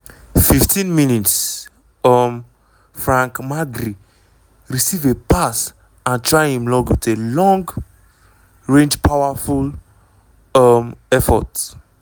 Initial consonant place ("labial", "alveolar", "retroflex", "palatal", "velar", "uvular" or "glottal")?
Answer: labial